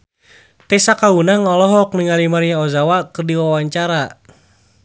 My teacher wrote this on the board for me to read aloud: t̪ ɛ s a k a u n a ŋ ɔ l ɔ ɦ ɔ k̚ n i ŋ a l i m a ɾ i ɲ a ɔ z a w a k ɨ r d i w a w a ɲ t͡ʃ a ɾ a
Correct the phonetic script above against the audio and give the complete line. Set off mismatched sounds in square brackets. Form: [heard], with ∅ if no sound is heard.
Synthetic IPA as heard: t̪ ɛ s a k a u n a ŋ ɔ l ɔ ɦ ɔ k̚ n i ŋ a l i m a ɾ i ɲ a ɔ z a w a k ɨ r d i w a w a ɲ t͡ʃ a ɾ a